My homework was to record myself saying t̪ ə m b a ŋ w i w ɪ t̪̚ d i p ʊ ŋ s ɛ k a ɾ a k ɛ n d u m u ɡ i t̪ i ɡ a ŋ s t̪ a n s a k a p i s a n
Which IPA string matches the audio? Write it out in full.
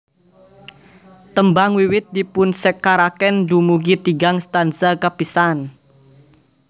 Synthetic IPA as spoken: t̪ ə m b a ŋ w i w ɪ t̪̚ d i p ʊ n s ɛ k a ɾ a k ɛ n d u m u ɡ i t̪ i ɡ a ŋ s t̪ a n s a k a p i s a n